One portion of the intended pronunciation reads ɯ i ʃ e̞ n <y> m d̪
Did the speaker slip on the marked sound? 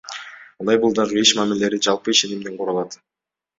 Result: yes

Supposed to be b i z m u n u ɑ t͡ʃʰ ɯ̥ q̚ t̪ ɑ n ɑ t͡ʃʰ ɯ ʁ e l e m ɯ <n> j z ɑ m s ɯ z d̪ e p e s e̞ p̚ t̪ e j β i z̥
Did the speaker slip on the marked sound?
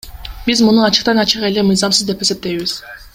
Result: yes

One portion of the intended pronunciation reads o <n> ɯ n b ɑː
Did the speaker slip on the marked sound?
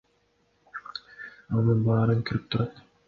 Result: no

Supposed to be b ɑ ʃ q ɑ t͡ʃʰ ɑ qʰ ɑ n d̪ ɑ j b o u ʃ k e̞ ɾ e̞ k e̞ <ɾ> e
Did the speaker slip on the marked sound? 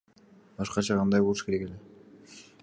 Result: yes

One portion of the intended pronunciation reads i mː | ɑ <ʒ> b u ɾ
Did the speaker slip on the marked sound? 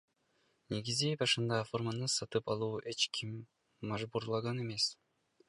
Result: no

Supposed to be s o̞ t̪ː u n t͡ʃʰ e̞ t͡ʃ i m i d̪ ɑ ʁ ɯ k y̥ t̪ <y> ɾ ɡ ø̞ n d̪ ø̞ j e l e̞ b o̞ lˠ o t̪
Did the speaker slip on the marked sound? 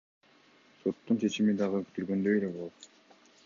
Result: no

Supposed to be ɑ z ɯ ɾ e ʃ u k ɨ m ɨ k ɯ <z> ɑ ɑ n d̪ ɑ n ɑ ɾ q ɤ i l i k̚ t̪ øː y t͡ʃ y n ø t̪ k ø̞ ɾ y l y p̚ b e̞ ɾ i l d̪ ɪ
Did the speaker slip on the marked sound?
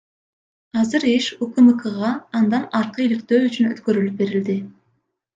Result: yes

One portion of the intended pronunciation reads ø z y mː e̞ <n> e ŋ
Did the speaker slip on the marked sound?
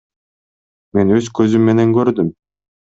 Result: no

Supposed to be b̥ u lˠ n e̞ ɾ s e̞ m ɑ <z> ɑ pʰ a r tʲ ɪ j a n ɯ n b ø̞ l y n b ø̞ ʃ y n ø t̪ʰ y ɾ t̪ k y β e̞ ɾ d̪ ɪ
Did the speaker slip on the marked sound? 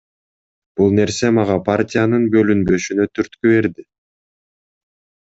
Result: yes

